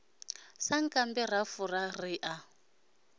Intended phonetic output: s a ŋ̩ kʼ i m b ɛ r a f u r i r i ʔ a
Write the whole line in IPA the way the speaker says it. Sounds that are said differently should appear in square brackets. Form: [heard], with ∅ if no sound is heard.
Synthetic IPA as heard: s a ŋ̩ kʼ [a] m b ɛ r a f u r [a] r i ʔ a

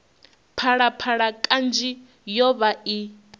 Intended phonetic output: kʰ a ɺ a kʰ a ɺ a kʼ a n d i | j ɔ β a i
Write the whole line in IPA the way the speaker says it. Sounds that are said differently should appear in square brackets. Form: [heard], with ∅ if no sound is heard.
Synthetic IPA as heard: [pʰ] a ɺ a [pʰ] a ɺ a kʼ a n [d͡ʒ] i | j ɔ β a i

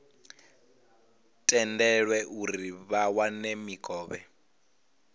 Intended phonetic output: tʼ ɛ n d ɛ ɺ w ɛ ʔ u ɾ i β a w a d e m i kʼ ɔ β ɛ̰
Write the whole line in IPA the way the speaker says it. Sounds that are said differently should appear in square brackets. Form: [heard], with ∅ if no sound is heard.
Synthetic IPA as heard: tʼ ɛ n d ɛ ɺ w ɛ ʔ u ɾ i β a w a [n] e m i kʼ [ɔː] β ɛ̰

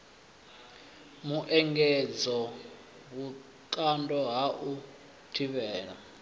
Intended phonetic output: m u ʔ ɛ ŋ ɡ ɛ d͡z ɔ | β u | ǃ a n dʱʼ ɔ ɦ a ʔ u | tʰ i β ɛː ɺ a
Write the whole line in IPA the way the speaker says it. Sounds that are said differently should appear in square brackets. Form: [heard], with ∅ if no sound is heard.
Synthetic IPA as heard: m u ʔ ɛ ŋ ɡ ɛ d͡z ɔ | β u | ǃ a n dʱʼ ɔ ɦ a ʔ u | tʰ i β ɛː ɺ a

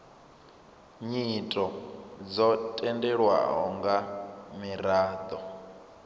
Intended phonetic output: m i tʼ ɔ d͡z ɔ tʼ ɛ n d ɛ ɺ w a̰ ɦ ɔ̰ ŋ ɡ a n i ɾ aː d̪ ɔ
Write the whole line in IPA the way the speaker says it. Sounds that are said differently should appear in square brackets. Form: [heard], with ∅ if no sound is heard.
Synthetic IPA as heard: [ɲ] i tʼ ɔ d͡z ɔ tʼ ɛ n d ɛ ɺ w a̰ ɦ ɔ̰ ŋ ɡ a [m] i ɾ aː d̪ ɔ

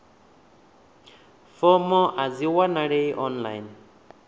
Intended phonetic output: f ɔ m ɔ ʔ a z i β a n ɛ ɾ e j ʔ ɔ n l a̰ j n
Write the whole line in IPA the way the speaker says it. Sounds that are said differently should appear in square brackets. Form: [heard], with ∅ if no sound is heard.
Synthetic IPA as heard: f ɔ m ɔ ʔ a z i [w] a n [a] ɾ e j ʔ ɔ n l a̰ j n

